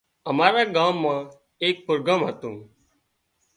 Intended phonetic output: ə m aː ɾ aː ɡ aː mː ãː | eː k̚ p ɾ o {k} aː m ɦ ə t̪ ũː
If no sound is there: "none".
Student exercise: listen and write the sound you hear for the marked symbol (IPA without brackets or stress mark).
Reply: ɡ